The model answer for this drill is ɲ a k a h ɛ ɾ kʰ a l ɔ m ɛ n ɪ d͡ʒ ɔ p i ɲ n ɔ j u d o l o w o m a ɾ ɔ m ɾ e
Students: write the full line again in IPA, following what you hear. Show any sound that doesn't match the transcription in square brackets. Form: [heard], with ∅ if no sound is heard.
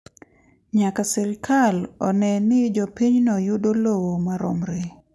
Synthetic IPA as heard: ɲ a k a [s] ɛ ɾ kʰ a l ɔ [n] ɛ n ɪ d͡ʒ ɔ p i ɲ n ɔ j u d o l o w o m a ɾ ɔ m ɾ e